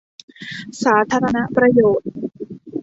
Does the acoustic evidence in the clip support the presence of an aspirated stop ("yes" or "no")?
yes